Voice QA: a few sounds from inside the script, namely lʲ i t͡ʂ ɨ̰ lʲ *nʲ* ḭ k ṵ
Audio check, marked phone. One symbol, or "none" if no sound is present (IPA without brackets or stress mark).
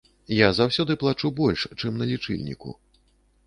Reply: nʲ